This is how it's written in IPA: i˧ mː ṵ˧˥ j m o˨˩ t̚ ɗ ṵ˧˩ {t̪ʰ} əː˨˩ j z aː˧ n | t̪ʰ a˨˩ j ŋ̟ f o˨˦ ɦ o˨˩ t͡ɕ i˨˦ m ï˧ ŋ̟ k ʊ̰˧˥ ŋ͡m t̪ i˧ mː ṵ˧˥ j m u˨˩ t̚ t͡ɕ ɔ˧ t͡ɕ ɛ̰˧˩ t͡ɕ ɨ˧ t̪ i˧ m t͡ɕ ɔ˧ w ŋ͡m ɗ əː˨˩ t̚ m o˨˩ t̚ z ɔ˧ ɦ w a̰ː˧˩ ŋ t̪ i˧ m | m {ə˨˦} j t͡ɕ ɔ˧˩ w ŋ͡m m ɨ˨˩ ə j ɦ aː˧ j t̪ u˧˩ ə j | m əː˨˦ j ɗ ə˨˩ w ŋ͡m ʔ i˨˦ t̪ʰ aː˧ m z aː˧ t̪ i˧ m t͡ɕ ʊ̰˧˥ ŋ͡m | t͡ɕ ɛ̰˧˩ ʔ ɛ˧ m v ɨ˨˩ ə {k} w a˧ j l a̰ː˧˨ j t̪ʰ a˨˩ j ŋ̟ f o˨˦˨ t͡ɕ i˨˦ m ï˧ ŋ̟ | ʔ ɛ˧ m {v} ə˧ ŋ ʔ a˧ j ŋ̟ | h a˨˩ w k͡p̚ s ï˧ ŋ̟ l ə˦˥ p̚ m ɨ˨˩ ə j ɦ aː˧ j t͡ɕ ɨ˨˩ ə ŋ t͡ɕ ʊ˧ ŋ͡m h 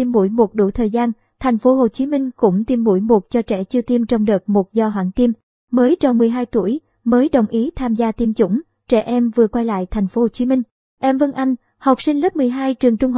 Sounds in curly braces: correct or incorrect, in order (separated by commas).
correct, incorrect, correct, correct